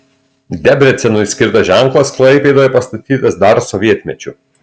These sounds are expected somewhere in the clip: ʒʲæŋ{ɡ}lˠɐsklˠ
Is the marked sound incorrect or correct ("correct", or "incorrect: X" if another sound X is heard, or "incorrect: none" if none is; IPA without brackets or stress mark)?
incorrect: k